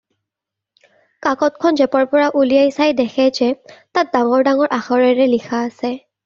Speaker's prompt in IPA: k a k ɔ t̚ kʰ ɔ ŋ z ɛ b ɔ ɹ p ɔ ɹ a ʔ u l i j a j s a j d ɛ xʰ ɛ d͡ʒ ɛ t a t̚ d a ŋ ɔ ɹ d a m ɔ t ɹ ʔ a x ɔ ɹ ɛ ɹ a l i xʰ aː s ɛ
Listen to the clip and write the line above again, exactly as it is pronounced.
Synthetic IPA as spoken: k a k ɔ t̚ kʰ ɔ n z ɛ p ɔ ɹ p ɔ ɹ a ʔ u l i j a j s a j d ɛ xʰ ɛ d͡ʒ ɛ t a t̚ d a ŋ ɔ ɹ d a ŋ ɔ ɹ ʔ a x ɔ ɹ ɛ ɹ ɛ l i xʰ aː s ɛ